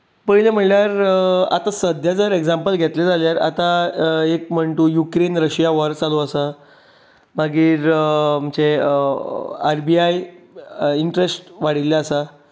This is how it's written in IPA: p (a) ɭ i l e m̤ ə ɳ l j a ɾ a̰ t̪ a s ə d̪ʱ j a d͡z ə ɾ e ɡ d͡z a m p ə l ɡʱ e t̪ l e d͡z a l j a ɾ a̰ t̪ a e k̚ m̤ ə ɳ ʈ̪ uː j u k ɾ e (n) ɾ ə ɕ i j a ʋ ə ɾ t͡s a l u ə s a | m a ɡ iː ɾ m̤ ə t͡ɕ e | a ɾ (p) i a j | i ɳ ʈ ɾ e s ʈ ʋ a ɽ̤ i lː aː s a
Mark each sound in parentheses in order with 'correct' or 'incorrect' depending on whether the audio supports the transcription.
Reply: incorrect, correct, incorrect

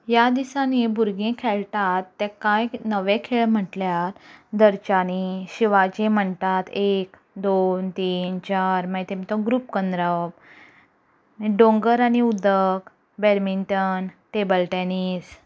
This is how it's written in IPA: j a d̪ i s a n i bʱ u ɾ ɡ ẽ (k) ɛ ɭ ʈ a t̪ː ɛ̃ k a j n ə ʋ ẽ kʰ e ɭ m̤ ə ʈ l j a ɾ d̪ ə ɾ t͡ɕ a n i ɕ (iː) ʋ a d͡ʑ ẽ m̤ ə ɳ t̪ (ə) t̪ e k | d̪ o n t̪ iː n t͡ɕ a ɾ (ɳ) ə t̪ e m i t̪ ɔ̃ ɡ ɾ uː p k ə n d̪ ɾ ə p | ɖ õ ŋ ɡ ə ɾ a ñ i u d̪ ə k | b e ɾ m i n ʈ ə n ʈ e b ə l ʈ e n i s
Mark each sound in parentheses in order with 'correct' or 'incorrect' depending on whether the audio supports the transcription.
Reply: incorrect, incorrect, incorrect, incorrect

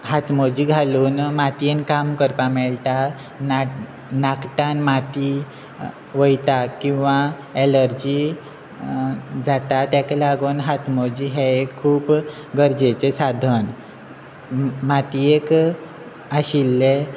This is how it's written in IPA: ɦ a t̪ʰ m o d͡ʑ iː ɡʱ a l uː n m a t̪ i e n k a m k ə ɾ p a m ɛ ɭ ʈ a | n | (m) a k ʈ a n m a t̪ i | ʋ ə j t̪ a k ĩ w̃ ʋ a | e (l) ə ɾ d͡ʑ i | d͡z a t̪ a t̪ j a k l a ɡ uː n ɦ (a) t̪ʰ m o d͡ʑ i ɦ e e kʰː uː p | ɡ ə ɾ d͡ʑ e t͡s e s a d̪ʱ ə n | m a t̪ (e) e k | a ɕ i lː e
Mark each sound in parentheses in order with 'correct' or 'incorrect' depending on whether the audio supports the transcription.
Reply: incorrect, correct, correct, incorrect

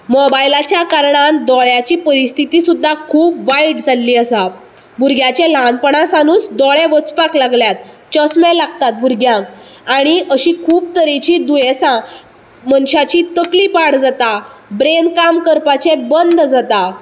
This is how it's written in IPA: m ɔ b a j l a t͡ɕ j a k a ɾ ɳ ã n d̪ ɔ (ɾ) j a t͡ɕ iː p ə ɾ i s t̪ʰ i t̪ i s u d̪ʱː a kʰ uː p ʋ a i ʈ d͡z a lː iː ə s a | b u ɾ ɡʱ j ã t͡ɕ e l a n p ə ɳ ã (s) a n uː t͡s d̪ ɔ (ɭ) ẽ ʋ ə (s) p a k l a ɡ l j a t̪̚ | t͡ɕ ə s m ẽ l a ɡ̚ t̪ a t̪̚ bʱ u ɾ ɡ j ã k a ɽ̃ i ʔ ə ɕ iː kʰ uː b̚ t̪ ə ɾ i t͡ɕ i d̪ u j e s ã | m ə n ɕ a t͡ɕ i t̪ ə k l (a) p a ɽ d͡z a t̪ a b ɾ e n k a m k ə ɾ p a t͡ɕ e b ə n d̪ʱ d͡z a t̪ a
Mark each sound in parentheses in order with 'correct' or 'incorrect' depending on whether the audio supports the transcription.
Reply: incorrect, correct, correct, incorrect, incorrect

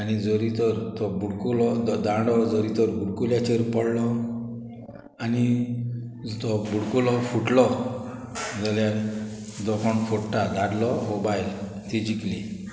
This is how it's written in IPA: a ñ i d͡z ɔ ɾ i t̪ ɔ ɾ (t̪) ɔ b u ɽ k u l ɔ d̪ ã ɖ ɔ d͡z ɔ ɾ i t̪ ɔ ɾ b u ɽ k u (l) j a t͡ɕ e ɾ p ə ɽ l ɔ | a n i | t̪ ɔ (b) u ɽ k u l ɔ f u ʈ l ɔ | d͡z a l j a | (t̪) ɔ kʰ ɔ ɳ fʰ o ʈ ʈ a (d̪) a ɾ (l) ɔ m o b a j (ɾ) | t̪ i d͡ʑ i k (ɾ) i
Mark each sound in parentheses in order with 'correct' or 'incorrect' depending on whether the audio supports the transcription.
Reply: correct, correct, correct, incorrect, correct, correct, incorrect, incorrect

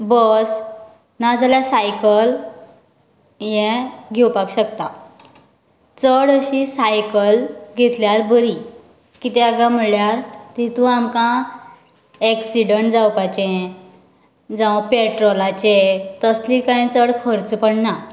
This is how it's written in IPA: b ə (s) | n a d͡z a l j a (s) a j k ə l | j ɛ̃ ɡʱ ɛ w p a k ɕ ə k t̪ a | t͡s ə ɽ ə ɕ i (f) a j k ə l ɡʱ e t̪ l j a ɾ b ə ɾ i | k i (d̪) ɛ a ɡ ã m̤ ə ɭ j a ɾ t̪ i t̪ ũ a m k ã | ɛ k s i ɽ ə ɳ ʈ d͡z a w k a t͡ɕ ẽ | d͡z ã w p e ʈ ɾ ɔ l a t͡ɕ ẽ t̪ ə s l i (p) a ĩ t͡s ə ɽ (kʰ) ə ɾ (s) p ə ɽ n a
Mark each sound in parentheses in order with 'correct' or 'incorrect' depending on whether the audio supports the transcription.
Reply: correct, correct, incorrect, incorrect, incorrect, correct, incorrect

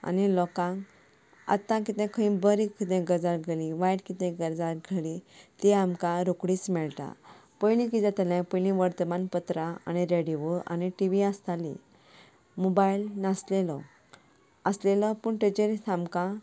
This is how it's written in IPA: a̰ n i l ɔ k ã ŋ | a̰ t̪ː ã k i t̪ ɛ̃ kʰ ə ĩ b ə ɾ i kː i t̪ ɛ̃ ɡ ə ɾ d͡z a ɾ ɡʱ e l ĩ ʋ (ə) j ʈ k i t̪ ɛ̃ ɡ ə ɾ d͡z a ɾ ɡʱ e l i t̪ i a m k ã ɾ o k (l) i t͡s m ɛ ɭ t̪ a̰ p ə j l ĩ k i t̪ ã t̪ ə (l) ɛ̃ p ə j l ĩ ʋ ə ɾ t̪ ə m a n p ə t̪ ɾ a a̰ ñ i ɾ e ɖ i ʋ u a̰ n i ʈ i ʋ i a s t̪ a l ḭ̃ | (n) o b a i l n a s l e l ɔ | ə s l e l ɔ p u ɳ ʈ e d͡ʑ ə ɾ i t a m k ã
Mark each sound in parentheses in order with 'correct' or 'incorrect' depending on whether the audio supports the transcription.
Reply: incorrect, incorrect, correct, incorrect

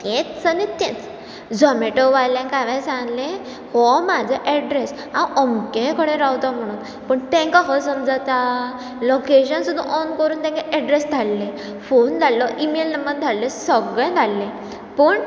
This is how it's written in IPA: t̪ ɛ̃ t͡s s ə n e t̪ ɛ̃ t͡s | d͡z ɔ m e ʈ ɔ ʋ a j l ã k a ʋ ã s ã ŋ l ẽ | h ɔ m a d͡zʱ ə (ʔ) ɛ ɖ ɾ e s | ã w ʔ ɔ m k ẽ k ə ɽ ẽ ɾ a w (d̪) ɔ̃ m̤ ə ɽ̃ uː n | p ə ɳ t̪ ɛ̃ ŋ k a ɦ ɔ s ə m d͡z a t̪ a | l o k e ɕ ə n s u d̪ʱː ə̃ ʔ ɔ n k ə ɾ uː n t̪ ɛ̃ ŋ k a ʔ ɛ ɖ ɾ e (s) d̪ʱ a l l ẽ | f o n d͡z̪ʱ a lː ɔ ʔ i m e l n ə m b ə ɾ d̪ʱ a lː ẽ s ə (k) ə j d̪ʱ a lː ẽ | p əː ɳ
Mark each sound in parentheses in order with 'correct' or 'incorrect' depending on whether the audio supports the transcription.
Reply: correct, incorrect, correct, incorrect

